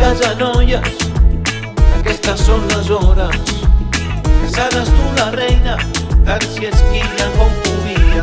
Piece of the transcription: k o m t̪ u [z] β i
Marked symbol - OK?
no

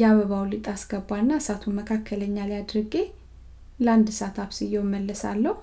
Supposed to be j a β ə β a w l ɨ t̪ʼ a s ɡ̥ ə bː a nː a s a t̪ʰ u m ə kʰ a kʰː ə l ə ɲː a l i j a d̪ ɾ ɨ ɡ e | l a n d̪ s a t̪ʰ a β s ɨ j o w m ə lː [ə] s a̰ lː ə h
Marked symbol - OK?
yes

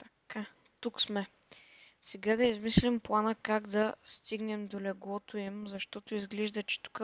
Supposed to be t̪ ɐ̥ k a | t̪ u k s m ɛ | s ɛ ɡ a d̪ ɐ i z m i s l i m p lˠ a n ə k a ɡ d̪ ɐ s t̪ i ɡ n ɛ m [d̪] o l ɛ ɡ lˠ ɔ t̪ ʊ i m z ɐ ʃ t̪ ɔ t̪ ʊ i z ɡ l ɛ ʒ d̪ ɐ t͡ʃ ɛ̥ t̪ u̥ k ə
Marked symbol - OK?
yes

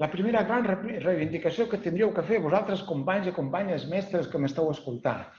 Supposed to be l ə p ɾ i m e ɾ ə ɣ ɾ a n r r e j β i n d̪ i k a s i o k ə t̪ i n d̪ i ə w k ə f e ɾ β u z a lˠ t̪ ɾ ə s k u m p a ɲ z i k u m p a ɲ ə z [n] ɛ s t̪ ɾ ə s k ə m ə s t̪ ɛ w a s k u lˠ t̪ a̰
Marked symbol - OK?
no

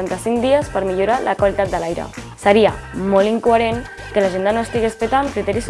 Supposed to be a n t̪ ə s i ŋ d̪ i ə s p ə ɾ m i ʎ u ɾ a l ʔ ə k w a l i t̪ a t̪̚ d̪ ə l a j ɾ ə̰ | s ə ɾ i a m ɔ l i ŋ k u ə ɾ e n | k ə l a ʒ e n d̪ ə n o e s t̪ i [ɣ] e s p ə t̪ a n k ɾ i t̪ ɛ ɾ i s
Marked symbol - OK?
yes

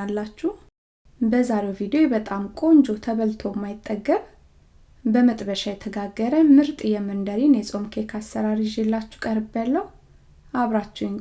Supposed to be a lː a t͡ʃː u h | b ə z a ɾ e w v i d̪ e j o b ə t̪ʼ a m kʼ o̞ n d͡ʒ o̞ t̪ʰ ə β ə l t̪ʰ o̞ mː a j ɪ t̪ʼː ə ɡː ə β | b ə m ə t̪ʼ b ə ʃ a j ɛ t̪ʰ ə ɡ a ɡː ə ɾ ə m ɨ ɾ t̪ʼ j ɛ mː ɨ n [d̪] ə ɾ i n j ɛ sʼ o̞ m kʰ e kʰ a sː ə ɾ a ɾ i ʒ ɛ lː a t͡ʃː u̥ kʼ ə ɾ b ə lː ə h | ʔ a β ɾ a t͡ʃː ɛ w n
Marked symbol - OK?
yes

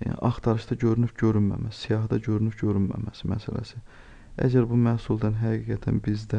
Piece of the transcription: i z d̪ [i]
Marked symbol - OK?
no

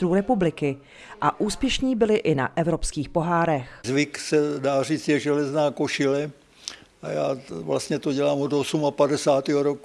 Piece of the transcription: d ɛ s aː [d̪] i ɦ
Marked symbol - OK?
no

